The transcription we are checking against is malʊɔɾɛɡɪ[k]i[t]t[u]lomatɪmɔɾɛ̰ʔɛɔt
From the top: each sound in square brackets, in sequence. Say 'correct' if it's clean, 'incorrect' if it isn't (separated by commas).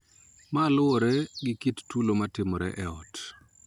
correct, correct, correct